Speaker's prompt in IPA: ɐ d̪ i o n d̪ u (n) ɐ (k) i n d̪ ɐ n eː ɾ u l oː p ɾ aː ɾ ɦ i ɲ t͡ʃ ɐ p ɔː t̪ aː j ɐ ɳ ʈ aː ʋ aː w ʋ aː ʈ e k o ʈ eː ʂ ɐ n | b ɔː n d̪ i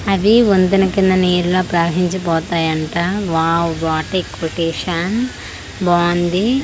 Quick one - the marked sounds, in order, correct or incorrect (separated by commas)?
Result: correct, correct